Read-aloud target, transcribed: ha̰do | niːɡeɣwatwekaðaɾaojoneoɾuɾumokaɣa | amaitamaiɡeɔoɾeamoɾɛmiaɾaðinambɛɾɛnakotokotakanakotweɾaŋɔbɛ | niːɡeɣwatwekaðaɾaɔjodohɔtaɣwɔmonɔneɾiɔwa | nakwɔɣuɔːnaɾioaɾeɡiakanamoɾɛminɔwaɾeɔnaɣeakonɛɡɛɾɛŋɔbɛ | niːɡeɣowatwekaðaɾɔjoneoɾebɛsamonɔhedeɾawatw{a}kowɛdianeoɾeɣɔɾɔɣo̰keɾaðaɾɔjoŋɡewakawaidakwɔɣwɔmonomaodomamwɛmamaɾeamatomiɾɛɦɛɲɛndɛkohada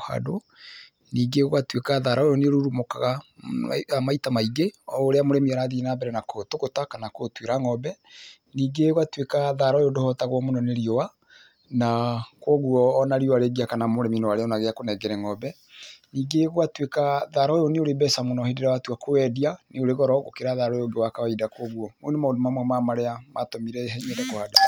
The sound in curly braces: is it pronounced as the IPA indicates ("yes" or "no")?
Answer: yes